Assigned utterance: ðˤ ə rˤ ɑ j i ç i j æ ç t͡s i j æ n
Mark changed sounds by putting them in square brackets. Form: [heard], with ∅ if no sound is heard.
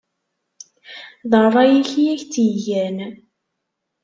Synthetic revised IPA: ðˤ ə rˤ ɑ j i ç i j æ ç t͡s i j æ n